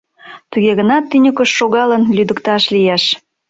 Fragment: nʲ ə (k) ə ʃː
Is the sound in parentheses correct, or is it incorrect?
correct